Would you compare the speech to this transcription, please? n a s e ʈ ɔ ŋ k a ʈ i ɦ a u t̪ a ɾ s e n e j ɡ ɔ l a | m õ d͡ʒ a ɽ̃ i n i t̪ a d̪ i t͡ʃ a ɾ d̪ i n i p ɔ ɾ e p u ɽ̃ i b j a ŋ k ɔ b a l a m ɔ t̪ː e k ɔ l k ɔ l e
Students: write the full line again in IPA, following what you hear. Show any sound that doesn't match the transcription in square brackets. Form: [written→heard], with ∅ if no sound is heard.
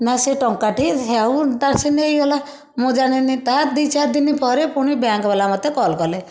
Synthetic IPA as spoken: n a s e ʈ ɔ ŋ k a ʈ i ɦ a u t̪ a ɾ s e n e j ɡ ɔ l a | m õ d͡ʒ a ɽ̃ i n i t̪ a d̪ i t͡ʃ a ɾ d̪ i n i p ɔ ɾ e p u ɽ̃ i b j a ŋ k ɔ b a l a m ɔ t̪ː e k ɔ l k ɔ l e